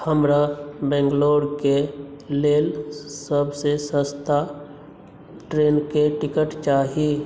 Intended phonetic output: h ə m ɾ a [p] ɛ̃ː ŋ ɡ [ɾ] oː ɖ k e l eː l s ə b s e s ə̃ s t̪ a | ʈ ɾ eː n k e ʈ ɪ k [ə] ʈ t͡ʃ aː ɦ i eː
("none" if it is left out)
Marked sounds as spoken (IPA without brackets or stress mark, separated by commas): b, l, ə